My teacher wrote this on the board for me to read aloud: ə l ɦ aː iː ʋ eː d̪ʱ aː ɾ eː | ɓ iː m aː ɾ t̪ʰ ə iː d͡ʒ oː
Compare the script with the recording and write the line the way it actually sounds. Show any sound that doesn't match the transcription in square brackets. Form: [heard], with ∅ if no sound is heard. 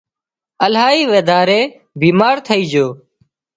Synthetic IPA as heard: ə l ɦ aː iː ʋ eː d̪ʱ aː ɾ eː | [b] iː m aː ɾ t̪ʰ ə iː d͡ʒ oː